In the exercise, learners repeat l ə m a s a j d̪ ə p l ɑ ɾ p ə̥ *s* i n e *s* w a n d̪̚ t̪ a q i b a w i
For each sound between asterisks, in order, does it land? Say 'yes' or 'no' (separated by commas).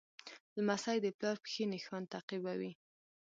no, no